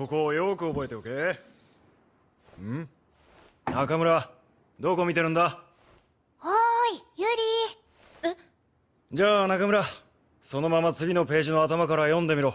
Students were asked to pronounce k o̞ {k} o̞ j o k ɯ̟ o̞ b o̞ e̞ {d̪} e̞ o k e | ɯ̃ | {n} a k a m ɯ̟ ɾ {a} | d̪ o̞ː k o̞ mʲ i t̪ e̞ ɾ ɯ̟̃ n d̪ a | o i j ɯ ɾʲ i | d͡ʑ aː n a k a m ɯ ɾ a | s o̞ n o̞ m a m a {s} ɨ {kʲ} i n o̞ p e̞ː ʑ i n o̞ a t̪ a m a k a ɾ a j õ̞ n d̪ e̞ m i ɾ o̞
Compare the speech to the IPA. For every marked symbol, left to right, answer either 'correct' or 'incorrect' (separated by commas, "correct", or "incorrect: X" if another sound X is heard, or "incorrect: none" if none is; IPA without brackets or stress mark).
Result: correct, incorrect: t̪, correct, correct, incorrect: t͡s, incorrect: ɡʲ